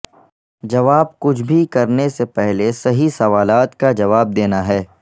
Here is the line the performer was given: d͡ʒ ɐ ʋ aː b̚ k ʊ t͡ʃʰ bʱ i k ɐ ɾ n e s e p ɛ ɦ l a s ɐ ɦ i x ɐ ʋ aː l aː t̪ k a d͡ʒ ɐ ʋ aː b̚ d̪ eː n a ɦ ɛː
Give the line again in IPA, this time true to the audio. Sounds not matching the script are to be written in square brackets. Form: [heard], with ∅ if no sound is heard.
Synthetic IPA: d͡ʒ ɐ ʋ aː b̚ k ʊ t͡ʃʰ bʱ i k ɐ ɾ n e s e p ɛ ɦ l [e] s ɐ ɦ i [s] ɐ ʋ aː l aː t̪ k a d͡ʒ ɐ ʋ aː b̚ d̪ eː n a ɦ ɛː